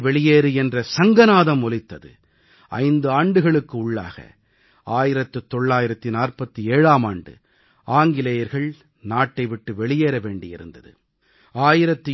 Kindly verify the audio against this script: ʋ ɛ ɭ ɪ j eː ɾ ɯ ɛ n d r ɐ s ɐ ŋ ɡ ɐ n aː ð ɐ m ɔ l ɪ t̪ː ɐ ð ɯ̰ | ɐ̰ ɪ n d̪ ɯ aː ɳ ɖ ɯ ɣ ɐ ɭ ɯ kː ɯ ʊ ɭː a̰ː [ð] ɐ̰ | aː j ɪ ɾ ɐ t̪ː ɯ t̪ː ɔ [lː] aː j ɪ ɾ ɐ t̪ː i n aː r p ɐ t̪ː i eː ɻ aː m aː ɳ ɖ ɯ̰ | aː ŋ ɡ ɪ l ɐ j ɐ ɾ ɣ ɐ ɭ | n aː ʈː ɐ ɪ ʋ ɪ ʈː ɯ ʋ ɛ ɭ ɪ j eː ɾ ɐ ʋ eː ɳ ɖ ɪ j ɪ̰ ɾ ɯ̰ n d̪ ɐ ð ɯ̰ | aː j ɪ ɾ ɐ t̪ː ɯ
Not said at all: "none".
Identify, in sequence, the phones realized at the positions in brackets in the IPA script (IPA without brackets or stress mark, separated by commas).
ɣ, ɭː